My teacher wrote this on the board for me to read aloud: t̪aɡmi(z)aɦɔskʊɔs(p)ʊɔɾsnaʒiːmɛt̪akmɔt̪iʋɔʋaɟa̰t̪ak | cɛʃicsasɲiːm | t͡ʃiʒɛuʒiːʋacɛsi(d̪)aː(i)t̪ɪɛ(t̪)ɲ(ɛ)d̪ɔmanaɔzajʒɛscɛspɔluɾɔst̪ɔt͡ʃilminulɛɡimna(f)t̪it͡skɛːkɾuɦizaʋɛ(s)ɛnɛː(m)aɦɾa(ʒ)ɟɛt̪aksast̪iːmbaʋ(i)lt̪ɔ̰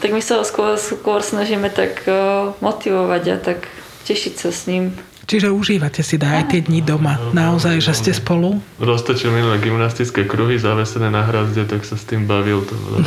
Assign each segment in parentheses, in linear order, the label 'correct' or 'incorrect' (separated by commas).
incorrect, incorrect, correct, incorrect, incorrect, incorrect, incorrect, correct, incorrect, incorrect, correct